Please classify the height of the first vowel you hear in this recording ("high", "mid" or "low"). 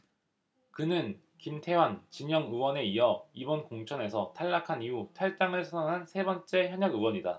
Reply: high